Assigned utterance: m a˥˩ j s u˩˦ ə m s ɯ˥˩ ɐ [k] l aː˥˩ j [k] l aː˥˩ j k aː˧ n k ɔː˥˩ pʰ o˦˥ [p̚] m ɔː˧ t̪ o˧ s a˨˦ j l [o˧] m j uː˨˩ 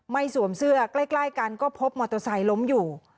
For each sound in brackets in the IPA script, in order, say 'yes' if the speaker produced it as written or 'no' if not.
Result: yes, yes, yes, no

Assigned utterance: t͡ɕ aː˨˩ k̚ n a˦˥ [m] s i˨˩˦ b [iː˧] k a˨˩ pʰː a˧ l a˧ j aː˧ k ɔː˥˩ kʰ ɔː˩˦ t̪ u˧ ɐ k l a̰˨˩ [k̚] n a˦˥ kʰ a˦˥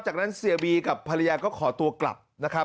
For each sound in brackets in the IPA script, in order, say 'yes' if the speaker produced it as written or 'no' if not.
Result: no, yes, no

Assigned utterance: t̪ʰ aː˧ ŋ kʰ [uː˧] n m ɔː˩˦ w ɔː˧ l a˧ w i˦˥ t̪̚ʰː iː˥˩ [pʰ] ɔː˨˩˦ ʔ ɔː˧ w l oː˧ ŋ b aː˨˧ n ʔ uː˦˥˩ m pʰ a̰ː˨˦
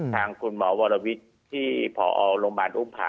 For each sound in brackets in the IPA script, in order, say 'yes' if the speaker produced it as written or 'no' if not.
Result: no, yes

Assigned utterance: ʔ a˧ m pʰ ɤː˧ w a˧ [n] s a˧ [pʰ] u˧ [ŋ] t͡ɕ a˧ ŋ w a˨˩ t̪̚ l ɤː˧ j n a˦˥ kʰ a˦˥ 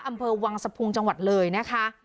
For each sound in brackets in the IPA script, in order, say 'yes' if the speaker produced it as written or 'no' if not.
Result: no, yes, yes

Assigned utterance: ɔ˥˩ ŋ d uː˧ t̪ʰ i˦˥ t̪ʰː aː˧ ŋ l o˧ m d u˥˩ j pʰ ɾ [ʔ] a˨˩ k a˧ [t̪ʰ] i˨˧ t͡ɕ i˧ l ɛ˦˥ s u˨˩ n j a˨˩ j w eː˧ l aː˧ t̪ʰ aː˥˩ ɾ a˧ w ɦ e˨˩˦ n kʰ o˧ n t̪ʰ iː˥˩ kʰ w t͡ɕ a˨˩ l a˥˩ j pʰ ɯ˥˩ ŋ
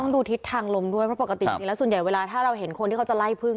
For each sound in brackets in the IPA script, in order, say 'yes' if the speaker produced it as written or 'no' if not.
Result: no, no

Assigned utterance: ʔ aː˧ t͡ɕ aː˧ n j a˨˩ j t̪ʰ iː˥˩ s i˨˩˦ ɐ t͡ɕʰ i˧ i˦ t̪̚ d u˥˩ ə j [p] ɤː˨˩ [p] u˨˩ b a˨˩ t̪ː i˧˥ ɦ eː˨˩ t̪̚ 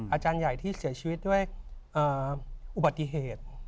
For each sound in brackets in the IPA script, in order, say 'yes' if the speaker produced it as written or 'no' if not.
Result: no, no

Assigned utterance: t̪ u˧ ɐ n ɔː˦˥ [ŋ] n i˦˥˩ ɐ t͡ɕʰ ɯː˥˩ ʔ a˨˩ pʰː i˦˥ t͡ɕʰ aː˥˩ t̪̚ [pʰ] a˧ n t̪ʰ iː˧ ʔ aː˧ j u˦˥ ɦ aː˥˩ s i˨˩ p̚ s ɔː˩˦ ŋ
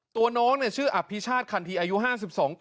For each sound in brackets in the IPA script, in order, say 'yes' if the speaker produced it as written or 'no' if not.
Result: yes, no

